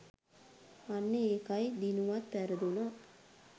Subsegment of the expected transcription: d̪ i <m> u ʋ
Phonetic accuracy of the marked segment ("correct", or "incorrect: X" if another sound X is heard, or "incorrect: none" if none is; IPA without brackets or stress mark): incorrect: n